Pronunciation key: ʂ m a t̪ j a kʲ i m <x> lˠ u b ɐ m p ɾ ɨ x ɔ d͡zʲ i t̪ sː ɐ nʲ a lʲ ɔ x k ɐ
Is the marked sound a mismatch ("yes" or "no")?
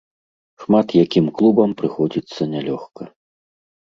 yes